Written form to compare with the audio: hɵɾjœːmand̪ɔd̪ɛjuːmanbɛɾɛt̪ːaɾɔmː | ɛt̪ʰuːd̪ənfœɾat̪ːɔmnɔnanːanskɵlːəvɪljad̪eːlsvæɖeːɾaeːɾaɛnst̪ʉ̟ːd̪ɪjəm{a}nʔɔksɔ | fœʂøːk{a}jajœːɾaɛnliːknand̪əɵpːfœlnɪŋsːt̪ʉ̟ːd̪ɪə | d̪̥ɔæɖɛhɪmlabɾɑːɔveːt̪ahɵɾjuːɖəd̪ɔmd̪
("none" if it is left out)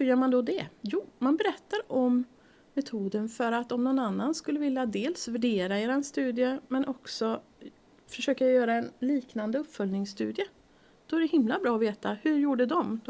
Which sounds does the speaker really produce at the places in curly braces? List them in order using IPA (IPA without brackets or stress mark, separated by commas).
ɛ, a